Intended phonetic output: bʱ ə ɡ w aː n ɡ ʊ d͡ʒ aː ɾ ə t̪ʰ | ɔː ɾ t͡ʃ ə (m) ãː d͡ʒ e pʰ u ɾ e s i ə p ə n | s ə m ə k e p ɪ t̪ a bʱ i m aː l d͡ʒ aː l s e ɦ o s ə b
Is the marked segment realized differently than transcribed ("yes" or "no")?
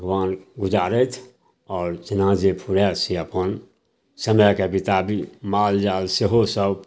yes